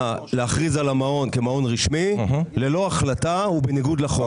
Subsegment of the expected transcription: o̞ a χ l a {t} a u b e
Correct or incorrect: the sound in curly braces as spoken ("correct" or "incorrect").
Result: correct